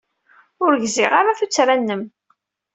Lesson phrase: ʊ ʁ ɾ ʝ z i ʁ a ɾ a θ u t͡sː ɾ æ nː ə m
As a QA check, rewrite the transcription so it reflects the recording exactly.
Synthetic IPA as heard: ʊ ɾ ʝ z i ʁ a ɾ a θ u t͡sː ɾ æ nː ə m